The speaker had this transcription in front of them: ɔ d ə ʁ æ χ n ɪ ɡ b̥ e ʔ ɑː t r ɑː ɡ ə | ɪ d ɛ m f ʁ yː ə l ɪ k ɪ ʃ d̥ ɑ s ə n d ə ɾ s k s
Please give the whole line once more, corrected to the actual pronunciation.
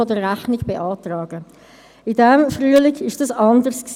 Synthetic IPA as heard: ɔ d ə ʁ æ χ n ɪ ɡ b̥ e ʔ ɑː t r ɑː ɡ ə | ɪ d ɛ m f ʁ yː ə l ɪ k ɪ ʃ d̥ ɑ s ɑ n d ə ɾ s k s